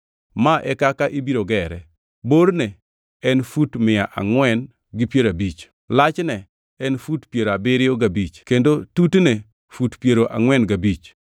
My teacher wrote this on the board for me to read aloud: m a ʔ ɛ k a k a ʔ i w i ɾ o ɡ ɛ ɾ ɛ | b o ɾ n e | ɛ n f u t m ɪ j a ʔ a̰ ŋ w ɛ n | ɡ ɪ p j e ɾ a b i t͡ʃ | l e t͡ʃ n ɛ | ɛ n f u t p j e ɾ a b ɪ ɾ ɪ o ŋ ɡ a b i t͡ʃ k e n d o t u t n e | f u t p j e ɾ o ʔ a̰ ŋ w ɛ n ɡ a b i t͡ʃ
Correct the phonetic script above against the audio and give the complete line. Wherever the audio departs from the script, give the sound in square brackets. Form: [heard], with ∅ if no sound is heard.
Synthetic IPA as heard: m a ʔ ɛ k a k a ʔ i [b] i ɾ o ɡ ɛ ɾ ɛ | b o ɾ n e | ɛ n f u t m ɪ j a ʔ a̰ ŋ w ɛ n | ɡ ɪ p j e ɾ a b i t͡ʃ | l [a] t͡ʃ n ɛ | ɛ n f u t p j e ɾ a b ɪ ɾ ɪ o [∅] ɡ a b i t͡ʃ k e n d o t u t n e | f u t p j e ɾ o ʔ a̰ ŋ w ɛ n ɡ a b i t͡ʃ